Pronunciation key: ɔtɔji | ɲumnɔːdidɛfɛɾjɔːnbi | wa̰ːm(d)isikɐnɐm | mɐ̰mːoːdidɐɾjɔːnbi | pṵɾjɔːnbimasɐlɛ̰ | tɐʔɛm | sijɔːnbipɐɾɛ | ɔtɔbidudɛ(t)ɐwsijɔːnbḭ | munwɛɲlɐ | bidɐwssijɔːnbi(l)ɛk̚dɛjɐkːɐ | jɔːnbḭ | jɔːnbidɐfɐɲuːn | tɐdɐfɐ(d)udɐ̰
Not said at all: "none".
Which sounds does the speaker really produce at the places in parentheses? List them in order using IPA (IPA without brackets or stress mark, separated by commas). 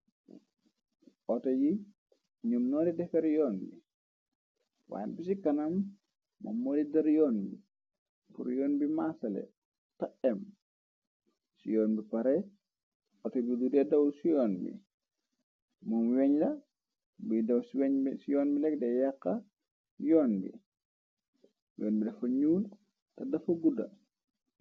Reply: b, d, l, ɡ